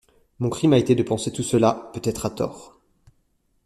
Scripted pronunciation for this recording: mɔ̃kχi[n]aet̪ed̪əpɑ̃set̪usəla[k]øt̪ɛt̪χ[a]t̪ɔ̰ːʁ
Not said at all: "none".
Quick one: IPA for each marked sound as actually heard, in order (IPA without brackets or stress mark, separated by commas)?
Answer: m, p, a